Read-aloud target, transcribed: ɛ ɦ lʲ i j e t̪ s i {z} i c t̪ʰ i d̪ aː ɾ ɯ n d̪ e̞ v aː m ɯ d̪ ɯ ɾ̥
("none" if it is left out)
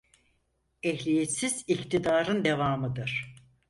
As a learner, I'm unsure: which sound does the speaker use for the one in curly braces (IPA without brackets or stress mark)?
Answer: z